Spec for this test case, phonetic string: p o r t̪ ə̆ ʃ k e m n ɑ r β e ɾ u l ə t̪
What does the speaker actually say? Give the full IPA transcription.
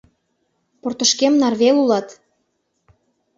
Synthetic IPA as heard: p o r t̪ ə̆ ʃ k e m n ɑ r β e l u l ɑ t̪